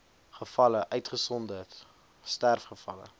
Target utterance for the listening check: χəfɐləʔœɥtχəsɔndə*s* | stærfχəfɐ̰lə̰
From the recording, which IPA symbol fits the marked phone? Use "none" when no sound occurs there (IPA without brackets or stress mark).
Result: t